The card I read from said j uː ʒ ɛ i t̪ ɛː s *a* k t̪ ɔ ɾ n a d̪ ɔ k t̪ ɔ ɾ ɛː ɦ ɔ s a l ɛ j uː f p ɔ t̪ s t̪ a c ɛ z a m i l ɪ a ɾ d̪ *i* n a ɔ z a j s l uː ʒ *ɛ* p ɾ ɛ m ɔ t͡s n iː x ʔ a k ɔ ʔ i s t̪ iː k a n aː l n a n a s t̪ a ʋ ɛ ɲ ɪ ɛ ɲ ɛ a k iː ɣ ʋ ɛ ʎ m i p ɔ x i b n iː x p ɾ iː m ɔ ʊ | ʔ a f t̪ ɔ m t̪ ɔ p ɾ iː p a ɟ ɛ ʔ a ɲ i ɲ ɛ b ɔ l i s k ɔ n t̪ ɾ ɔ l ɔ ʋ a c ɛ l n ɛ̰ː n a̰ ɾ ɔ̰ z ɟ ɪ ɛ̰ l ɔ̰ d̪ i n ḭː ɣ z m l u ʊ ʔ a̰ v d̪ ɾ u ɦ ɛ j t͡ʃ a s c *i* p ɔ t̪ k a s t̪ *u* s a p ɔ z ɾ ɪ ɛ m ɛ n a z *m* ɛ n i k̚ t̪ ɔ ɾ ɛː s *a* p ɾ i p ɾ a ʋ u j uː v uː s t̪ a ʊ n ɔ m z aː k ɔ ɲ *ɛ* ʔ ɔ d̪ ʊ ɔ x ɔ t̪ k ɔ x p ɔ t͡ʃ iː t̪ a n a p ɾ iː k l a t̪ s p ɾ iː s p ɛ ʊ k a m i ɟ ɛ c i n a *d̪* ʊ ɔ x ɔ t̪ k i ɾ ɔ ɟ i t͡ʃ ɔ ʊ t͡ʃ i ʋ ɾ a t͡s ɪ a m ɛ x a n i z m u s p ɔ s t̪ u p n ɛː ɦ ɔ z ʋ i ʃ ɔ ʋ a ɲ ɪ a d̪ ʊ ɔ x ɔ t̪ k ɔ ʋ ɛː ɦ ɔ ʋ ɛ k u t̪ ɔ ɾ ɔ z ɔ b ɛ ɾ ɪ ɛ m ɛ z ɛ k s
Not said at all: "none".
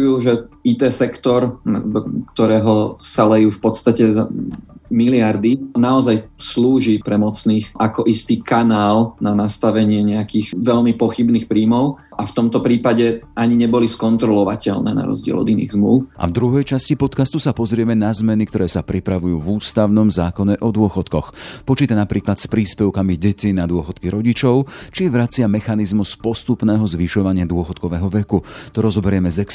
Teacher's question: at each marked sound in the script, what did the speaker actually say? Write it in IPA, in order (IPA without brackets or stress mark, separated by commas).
ɛ, i, i, i, u, m, a, ɛ, d̪